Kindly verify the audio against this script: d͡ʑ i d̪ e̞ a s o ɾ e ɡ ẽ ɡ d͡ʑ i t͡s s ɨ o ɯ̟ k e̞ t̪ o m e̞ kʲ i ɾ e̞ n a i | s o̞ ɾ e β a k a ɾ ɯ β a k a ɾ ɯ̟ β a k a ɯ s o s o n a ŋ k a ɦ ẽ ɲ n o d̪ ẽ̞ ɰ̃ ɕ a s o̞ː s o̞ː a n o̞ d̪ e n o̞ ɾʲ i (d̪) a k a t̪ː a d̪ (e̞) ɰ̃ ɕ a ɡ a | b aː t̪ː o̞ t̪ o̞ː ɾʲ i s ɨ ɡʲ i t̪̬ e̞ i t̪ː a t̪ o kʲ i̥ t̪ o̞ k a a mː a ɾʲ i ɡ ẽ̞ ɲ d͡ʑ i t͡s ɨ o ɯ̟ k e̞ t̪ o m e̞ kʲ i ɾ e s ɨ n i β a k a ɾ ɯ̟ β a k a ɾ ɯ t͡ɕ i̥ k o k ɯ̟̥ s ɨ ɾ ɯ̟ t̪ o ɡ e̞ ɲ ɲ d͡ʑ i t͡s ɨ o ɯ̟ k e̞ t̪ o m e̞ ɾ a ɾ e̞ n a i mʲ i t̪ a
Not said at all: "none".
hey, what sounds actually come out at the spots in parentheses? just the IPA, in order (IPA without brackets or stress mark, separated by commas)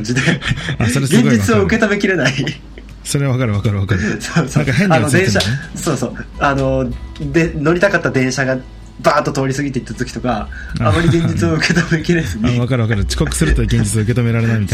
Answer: t̪, ẽ̞